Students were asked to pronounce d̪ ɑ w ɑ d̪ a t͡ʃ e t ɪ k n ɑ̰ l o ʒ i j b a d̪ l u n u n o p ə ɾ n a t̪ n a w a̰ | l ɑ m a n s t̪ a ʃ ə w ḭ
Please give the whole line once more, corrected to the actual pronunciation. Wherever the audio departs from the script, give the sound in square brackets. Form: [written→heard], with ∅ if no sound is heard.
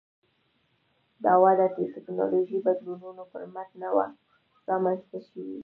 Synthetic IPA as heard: d̪ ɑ w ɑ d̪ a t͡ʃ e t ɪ k n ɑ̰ l o ʒ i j b a d̪ l u n u n o p ə ɾ [n→m] a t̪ n a w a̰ | [l→ɾ] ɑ m a n s t̪ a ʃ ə w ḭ

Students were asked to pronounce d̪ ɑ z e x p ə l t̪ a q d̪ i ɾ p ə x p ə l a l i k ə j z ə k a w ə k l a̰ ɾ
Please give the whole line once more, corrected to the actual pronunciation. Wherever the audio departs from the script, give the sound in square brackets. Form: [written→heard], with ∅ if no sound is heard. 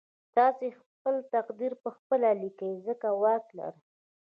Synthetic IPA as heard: [d̪→t̪] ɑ [z→s] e x p ə l t̪ a q d̪ i ɾ p ə x p ə l a l i k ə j z ə k a w [ə→ɑ] k l a̰ ɾ

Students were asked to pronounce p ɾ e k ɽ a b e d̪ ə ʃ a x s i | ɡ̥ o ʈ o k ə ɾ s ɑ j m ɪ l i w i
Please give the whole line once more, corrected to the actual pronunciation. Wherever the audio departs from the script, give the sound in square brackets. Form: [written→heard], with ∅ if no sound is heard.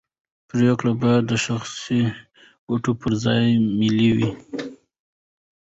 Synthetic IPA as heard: p ɾ e k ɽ a b [e→a] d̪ ə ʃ a x s i | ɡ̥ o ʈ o [k→p] ə ɾ [s→z] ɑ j m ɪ l i w i

